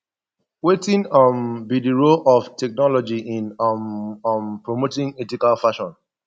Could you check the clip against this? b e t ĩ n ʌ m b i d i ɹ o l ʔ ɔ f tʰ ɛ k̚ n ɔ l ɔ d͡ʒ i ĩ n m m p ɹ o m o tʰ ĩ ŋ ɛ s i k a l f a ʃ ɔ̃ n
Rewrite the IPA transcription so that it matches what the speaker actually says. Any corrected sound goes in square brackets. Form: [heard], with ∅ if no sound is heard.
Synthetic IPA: [w] e t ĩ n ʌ m b i d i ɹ o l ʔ ɔ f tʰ ɛ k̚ n ɔ l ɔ d͡ʒ i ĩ n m m p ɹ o m o [t] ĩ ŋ ɛ [t] i k a l f a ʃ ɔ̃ n